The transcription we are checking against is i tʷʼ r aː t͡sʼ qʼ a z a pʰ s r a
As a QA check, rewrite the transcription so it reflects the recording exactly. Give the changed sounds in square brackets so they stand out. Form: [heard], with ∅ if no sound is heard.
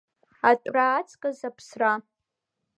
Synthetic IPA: [a] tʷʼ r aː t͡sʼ [kʼ] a z a pʰ s r a